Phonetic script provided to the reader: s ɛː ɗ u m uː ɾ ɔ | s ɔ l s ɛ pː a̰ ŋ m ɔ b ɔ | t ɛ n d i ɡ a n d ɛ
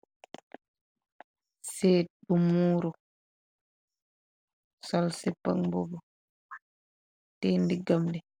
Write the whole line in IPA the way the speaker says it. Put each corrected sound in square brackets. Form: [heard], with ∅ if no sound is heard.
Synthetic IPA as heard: s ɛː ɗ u m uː ɾ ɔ | s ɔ l s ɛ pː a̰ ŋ [b] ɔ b ɔ | t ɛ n d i ɡ a [m] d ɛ